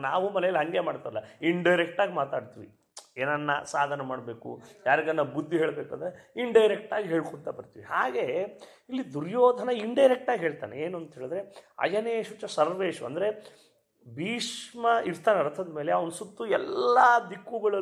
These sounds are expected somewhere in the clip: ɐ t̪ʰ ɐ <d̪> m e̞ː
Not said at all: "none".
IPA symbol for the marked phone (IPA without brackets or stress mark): d̪